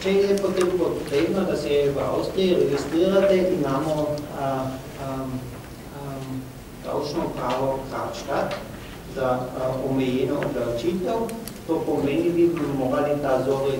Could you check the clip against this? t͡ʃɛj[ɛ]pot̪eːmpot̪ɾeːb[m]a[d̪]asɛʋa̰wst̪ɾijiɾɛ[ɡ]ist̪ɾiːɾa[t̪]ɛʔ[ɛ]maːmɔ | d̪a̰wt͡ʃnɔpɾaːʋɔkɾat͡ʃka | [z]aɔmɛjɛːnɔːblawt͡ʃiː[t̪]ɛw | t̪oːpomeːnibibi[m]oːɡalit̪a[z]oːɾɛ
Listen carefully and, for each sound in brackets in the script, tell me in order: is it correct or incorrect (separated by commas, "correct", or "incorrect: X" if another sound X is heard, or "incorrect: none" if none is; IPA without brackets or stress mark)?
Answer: correct, incorrect: n, correct, correct, correct, incorrect: i, correct, correct, correct, correct